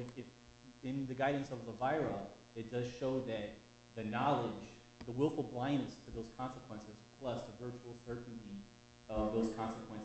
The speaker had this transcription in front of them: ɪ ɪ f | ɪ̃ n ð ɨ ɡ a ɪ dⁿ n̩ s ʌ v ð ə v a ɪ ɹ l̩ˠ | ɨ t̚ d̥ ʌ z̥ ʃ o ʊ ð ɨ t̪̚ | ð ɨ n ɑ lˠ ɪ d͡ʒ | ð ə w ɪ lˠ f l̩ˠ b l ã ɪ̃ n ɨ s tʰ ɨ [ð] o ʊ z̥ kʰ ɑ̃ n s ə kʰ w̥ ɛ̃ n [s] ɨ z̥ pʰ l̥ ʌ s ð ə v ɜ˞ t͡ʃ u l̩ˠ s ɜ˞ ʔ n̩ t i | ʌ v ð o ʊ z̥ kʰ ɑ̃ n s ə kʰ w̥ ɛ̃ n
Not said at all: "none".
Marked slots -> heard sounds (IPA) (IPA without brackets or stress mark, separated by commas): ð, s